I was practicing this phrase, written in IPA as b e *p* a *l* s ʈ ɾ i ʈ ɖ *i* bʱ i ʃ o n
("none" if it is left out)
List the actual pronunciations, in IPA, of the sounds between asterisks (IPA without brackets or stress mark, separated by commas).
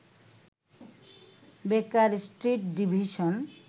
k, ɾ, i